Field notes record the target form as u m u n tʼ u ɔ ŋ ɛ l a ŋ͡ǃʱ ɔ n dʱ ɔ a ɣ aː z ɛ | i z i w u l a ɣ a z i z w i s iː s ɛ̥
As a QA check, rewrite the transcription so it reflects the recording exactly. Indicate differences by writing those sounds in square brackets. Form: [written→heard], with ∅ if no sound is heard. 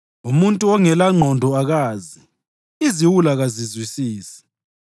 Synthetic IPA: u m u n tʼ u ɔ ŋ ɛ l a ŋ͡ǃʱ ɔ n dʱ ɔ a ɣ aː z [ɛ→i] | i z i w u l a ɣ a z i z w i s iː s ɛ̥